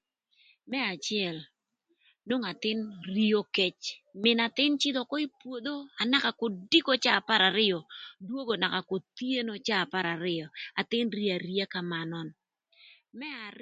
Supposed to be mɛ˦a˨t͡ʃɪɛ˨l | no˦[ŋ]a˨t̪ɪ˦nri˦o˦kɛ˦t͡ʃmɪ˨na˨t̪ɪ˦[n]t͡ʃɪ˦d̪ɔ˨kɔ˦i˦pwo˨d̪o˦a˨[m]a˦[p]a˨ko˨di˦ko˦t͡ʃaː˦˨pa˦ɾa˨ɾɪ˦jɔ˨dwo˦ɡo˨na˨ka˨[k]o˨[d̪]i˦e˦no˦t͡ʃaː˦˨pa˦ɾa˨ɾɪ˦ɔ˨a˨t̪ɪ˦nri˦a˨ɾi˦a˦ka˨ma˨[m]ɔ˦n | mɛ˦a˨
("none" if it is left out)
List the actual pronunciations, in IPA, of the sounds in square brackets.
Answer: ŋ, n, n, k, k, t̪, n

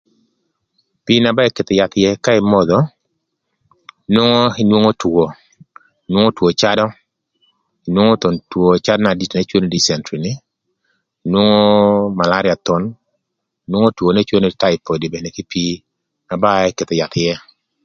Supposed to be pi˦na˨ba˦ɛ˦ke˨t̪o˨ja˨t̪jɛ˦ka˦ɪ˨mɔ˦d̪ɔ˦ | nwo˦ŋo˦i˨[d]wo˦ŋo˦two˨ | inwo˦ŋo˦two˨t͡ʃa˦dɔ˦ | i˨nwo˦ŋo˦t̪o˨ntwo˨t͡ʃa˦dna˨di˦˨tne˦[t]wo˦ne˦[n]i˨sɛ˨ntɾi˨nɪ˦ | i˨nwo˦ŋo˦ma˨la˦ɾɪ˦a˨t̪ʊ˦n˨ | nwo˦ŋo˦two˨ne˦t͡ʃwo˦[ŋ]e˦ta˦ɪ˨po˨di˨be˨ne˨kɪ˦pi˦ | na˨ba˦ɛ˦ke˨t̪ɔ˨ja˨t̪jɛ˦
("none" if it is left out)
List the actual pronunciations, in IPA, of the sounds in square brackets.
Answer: n, t͡ʃ, d, n

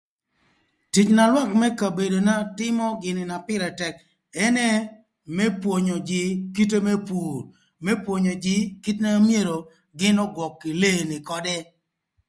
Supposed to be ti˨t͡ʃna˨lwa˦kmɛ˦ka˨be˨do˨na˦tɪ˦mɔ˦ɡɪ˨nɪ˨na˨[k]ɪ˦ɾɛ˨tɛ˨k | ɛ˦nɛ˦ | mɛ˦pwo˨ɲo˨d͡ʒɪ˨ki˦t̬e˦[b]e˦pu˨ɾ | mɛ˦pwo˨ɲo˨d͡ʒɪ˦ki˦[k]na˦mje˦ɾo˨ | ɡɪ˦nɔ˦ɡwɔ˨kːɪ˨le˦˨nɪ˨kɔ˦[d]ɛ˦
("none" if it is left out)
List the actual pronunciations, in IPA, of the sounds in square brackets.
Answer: p, m, t, d

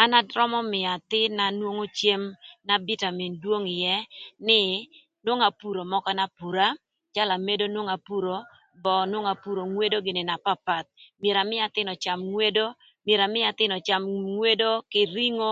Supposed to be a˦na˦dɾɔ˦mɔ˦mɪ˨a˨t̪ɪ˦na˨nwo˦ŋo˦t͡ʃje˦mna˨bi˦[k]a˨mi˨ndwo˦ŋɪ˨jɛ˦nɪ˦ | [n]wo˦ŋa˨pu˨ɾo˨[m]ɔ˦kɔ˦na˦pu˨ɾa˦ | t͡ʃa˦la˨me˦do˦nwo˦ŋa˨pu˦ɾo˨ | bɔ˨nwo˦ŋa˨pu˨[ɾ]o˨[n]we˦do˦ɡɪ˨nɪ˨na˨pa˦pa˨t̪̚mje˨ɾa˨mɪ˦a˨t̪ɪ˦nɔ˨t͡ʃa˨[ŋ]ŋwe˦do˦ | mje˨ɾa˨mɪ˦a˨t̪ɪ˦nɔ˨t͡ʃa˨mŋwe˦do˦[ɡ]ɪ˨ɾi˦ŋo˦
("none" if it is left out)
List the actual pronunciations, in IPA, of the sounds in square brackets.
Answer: t, n, m, ɾ, ŋ, m, k

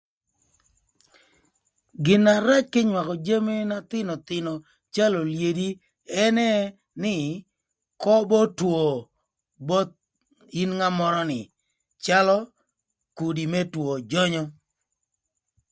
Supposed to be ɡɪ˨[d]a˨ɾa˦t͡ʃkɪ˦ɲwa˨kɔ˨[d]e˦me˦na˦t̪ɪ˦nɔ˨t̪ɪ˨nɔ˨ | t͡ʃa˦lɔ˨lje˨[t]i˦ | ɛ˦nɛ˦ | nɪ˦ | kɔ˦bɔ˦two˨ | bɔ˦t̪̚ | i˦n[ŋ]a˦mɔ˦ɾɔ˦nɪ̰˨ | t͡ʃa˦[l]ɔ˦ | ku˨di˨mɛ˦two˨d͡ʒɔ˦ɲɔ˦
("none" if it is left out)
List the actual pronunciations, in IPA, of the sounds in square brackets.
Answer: n, d͡ʒ, d, ŋ, l

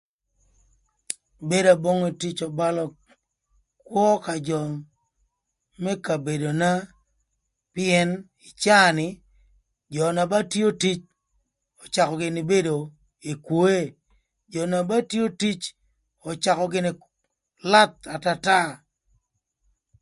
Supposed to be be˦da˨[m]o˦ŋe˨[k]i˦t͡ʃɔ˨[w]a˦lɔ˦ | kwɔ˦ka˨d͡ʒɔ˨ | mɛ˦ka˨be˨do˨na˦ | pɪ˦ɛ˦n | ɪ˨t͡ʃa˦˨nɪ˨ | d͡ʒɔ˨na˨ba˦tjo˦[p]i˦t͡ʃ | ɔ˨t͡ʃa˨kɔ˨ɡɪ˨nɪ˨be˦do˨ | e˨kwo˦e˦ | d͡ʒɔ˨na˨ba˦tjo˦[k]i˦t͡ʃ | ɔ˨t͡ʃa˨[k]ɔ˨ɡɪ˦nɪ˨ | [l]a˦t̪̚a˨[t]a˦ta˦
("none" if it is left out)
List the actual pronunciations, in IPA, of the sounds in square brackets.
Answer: b, t, b, t, t, k, l, t

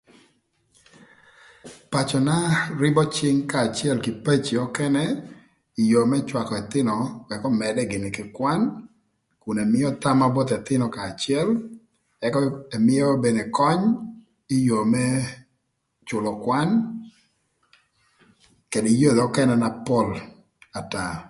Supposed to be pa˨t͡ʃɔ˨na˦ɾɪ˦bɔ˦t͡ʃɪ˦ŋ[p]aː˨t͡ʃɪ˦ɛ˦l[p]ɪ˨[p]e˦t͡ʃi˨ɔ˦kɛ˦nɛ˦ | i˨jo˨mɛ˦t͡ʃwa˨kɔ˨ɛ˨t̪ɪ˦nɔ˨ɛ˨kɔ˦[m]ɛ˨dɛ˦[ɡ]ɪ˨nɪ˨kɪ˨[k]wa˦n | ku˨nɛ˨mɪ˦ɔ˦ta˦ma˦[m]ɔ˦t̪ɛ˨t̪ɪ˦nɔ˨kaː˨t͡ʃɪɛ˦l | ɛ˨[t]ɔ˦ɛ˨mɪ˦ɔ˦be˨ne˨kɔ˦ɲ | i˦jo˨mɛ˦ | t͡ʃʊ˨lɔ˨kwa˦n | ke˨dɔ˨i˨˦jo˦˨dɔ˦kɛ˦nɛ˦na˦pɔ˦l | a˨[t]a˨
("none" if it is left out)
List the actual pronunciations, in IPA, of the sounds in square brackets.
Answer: k, k, p, m, ɡ, k, b, k, t

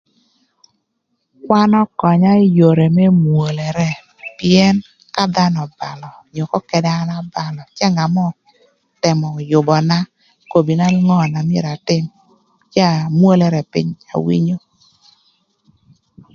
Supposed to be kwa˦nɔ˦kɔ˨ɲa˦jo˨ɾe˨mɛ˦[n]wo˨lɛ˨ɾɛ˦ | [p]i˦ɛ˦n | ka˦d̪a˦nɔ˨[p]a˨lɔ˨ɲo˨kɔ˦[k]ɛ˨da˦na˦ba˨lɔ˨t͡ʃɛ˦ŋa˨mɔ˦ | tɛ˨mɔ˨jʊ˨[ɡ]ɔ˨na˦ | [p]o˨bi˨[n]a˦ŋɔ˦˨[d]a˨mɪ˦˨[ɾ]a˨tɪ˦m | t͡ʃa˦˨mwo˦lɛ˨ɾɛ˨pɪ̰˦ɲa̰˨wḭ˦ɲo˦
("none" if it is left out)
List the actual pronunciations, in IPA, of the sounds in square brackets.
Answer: m, p, b, k, b, k, n, n, ɾ

